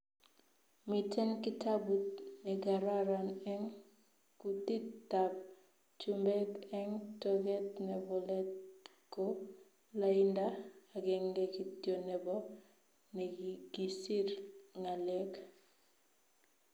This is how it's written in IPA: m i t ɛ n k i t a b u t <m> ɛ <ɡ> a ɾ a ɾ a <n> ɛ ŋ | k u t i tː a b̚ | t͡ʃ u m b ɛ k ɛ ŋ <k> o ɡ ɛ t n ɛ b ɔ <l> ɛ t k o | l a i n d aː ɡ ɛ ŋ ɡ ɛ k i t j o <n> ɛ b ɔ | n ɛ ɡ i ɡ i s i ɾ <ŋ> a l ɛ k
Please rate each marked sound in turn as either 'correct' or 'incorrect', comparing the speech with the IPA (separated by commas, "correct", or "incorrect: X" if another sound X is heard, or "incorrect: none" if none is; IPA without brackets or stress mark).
incorrect: n, correct, correct, incorrect: t, correct, correct, correct